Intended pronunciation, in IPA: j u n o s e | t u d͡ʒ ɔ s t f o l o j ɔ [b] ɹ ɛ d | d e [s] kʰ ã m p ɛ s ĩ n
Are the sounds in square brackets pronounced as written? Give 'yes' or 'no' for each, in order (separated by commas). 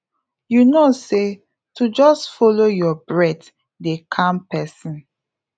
yes, no